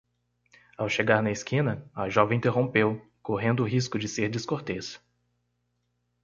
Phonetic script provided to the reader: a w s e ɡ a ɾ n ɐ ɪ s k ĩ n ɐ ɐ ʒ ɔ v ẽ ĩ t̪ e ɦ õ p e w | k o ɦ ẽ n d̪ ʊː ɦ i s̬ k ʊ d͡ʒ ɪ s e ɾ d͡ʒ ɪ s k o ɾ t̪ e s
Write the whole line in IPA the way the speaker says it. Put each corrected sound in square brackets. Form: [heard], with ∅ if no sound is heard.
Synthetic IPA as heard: a w [ʃ] e ɡ a ɾ n ɐ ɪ s k ĩ n ɐ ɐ ʒ ɔ v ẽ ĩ t̪ e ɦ õ p e w | k o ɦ ẽ n d̪ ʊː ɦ i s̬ k ʊ d͡ʒ ɪ s e ɾ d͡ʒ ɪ s k o ɾ t̪ e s

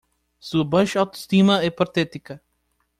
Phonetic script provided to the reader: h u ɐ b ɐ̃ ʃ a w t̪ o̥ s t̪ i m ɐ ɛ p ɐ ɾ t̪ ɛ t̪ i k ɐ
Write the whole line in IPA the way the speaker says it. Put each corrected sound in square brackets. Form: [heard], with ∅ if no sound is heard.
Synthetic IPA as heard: [s] u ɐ b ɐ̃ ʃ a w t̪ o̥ s t̪ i m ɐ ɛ p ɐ ɾ t̪ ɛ t̪ i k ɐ

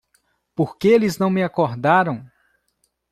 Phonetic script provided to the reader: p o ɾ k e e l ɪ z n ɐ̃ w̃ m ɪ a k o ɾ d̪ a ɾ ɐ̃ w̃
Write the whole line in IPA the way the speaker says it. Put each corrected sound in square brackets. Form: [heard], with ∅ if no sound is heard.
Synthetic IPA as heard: p o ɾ k e e l ɪ z n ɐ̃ w̃ m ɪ a k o ɾ d̪ a ɾ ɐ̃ w̃

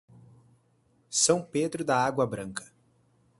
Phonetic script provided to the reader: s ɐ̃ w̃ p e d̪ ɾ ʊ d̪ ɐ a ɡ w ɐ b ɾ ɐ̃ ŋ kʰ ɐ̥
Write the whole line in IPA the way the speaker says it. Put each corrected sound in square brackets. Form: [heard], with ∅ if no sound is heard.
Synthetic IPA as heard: s ɐ̃ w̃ p e d̪ ɾ ʊ d̪ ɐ a ɡ w ɐ b ɾ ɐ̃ ŋ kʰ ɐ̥

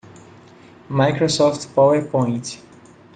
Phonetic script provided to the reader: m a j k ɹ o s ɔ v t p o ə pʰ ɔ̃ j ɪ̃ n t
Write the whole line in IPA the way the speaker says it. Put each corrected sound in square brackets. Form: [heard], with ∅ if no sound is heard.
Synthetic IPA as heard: m a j k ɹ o s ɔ [f] t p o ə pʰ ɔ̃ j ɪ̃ n t

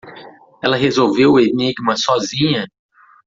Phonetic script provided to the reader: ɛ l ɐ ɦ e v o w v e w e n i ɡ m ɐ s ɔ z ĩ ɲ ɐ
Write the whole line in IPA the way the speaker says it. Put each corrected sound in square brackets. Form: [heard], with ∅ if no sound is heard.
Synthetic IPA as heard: ɛ l ɐ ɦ e [z] o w v e w e n i ɡ m ɐ s ɔ z ĩ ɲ ɐ

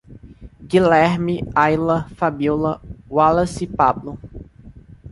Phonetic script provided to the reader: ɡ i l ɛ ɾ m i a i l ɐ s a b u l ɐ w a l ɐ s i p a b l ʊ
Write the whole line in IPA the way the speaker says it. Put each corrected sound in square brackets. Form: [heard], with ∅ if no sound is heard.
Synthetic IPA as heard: ɡ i l ɛ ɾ m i a [j] l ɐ [f] a b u l ɐ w a l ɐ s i p a b l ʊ

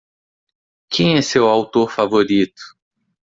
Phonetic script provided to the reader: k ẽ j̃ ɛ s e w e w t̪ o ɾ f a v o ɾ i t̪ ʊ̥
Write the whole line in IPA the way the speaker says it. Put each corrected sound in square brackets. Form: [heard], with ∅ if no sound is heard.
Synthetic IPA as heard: k ẽ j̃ ɛ s e w [a] w t̪ o ɾ f a v o ɾ i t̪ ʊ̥

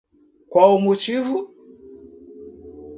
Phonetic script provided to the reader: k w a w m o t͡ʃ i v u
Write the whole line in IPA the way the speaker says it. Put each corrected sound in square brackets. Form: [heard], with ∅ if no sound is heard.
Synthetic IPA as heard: k w a [u] m [u] t͡ʃ i v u

